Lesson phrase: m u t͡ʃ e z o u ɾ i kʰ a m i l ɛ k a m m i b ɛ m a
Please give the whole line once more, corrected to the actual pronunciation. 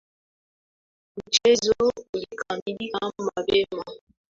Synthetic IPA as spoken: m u t͡ʃ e z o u l i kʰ a m i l i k a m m a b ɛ m a